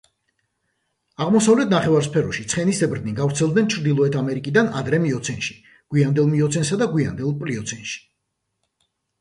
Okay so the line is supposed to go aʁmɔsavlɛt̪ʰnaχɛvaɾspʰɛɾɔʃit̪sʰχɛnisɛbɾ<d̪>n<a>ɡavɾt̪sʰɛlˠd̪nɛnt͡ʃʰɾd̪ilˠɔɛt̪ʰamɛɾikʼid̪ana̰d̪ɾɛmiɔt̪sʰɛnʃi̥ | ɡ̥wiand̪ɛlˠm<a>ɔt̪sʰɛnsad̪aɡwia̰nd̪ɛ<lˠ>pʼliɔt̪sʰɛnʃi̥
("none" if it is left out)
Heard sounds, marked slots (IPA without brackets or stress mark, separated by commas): d̪, i, i, lˠ